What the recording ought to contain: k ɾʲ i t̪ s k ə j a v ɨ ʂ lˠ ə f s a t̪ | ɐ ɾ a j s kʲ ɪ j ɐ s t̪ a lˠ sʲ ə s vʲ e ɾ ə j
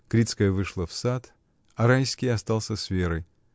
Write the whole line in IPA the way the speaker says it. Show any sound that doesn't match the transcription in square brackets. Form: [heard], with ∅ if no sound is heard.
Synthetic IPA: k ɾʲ i t̪ s k ə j [ə] v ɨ ʂ lˠ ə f s a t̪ | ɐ ɾ a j s kʲ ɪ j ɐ s t̪ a lˠ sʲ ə s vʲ e ɾ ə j